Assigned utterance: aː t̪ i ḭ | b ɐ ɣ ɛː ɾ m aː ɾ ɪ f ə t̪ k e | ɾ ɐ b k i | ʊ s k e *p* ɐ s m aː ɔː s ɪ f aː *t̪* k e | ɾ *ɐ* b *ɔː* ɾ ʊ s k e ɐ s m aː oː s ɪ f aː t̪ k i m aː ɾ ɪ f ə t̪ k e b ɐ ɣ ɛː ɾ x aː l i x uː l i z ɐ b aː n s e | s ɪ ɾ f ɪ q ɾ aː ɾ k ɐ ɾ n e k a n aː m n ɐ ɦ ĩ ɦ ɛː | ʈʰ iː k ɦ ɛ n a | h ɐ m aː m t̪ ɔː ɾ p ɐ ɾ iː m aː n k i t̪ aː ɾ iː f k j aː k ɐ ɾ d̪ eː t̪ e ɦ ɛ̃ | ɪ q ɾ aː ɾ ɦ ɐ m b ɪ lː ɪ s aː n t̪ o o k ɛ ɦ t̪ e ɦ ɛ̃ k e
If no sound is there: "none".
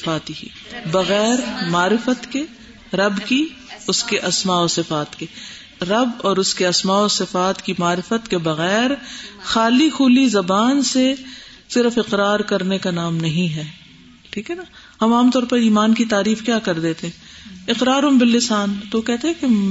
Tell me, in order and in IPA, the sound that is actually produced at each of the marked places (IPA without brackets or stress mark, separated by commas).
ʔ, t̪, ɐ, ɔː